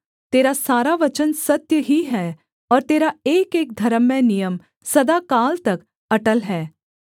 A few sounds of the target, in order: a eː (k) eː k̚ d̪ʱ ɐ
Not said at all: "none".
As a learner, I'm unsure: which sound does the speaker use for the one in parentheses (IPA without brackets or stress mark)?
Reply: k